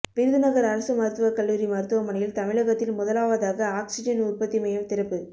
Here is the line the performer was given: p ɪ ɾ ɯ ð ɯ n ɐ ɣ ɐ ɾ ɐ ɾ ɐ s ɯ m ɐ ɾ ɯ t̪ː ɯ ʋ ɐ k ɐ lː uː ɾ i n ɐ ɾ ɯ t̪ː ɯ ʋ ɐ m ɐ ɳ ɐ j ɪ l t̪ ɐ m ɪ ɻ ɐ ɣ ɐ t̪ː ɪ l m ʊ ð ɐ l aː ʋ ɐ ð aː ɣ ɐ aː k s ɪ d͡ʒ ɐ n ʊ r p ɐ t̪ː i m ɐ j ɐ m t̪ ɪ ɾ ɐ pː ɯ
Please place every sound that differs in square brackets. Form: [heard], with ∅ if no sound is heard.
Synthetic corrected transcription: p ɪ ɾ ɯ ð ɯ n ɐ ɣ ɐ ɾ ɐ ɾ ɐ s ɯ m ɐ ɾ ɯ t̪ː ɯ ʋ ɐ k ɐ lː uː ɾ i [m] ɐ ɾ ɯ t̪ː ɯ ʋ ɐ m ɐ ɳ ɐ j ɪ l t̪ ɐ m ɪ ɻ ɐ ɣ ɐ t̪ː ɪ l m ʊ ð ɐ l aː ʋ ɐ ð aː ɣ ɐ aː k s ɪ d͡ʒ ɐ n ʊ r p ɐ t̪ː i m ɐ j ɐ m t̪ ɪ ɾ ɐ pː ɯ